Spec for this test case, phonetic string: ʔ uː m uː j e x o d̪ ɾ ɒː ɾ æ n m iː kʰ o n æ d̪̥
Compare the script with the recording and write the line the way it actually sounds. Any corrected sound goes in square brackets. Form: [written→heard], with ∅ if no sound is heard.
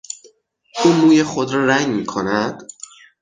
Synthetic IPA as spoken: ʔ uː [m→n] uː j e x o d̪ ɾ ɒː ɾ æ [n→ŋ] m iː kʰ o n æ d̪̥